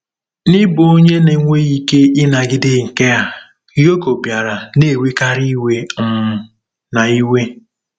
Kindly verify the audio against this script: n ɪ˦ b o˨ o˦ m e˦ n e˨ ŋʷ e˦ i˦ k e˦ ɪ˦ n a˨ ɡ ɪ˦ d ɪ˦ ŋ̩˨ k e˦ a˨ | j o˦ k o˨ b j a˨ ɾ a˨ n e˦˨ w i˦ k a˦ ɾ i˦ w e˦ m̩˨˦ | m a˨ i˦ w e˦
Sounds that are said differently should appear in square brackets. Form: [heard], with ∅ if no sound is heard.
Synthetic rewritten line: n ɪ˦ b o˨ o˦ [ɲ] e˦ n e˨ ŋʷ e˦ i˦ k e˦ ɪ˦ n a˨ ɡ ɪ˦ d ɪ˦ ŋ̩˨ k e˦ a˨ | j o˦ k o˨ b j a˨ ɾ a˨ n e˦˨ w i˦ k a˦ ɾ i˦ w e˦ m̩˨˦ | [n] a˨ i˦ w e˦